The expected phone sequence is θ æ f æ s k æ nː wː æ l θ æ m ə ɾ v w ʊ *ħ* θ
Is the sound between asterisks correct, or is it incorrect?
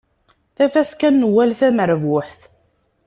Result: correct